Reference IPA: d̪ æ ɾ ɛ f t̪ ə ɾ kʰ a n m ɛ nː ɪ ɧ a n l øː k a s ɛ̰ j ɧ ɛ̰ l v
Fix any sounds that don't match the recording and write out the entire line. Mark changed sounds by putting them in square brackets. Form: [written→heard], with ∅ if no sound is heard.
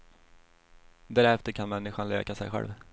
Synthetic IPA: d̪ æ ɾ ɛ f t̪ ə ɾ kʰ a n m ɛ nː ɪ ɧ a n l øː k a s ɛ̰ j ɧ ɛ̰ l v